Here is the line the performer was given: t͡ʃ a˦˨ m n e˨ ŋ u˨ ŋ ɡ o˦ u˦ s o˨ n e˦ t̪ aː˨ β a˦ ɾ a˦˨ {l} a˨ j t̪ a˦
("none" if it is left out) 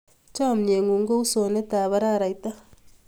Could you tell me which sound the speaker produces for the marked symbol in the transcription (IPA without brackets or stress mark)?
ɾ